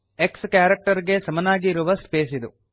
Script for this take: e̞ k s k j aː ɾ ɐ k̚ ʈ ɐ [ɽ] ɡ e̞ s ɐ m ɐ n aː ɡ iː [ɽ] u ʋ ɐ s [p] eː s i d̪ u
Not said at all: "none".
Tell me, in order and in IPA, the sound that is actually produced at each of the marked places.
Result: ɾ, ɾ, p

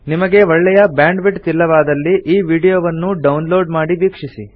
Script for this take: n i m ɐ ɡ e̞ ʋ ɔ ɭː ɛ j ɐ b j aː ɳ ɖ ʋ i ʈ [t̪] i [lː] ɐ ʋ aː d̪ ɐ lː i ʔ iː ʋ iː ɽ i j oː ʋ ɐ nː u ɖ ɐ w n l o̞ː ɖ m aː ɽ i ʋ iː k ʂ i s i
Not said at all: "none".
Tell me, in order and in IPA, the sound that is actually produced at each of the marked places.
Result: t̪, lː

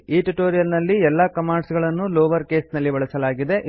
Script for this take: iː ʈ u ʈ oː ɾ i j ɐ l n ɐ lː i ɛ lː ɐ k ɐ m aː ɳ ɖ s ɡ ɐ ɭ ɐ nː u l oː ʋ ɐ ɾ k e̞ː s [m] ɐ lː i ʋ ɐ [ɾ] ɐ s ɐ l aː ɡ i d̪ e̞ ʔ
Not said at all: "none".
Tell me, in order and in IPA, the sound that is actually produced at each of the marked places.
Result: n, ɭ

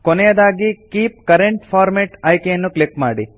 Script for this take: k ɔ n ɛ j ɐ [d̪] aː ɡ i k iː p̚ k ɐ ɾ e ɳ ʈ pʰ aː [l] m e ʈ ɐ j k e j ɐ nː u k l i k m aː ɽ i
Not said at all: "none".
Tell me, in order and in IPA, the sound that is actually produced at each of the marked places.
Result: d̪, ɾ

